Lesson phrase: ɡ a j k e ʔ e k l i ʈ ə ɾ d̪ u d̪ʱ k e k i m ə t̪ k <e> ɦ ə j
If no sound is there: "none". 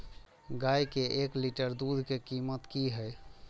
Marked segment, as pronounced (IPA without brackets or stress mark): i